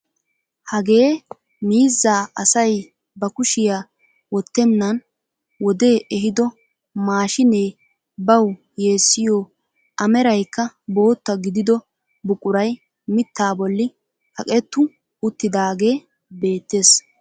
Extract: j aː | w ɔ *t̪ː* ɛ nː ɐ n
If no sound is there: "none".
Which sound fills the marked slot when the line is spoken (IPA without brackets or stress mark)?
t̪ː